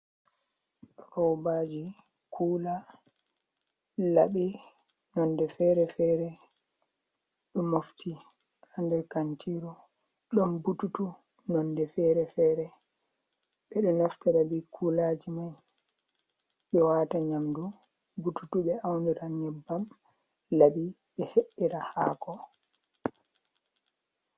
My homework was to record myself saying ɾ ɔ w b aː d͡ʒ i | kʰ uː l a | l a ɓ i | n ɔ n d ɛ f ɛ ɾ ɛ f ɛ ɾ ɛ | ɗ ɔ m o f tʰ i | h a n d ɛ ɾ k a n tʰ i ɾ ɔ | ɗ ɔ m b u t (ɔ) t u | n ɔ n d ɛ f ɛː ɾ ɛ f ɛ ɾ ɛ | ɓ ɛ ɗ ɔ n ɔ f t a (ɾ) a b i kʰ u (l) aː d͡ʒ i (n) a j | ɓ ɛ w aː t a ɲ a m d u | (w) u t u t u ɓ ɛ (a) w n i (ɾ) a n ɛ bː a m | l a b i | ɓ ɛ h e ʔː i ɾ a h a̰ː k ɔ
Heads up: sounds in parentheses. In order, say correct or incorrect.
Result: incorrect: u, correct, correct, incorrect: m, incorrect: b, correct, correct

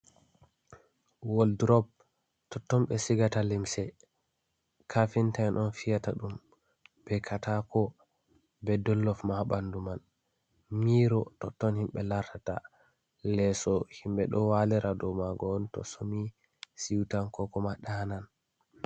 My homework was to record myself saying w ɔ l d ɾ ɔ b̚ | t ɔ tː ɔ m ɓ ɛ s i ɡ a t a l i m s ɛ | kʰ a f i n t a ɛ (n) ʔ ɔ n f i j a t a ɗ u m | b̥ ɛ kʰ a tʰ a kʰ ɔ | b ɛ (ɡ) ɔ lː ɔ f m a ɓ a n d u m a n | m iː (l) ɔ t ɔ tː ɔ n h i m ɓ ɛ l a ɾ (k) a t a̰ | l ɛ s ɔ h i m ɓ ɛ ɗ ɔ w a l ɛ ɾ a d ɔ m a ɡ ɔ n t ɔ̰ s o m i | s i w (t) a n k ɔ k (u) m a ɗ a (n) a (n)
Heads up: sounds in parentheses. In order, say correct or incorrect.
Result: correct, incorrect: d, incorrect: ɾ, incorrect: t, correct, incorrect: ɔ, correct, correct

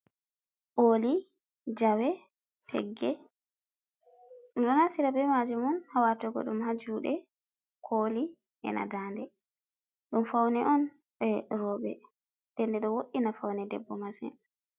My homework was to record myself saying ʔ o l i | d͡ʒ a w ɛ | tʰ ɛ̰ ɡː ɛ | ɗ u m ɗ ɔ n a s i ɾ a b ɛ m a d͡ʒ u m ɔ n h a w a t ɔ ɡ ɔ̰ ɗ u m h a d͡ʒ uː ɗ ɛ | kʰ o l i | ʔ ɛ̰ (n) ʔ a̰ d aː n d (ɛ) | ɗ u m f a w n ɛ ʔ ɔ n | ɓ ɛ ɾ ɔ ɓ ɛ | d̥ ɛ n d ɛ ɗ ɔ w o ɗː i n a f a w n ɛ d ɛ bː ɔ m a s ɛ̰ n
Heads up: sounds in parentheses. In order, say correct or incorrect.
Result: correct, correct

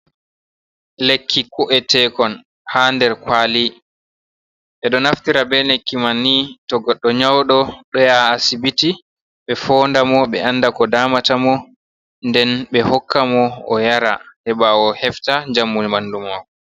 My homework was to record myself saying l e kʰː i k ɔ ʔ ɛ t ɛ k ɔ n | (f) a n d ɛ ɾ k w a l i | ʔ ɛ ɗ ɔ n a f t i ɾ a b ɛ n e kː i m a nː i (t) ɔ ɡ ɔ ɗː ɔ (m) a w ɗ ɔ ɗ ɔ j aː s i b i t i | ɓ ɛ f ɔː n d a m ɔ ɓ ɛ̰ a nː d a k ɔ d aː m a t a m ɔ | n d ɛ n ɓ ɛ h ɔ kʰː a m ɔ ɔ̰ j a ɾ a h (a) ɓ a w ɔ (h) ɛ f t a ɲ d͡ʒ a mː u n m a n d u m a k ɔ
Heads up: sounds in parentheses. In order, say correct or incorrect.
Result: incorrect: h, correct, incorrect: ɲ, incorrect: ɛ, correct

